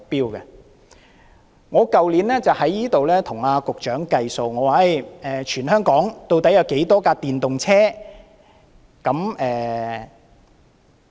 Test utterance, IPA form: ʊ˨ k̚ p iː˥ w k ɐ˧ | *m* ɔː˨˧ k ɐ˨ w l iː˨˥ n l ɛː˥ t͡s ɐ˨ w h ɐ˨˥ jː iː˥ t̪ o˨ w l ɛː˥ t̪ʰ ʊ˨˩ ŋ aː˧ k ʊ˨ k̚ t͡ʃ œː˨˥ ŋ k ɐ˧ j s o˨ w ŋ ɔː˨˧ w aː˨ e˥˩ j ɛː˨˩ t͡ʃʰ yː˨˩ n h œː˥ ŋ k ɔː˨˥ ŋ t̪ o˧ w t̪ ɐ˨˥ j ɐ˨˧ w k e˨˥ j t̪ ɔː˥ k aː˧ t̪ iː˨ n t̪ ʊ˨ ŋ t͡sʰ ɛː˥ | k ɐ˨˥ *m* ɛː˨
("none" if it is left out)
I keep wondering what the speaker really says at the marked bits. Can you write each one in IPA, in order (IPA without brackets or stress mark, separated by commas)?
ŋ, m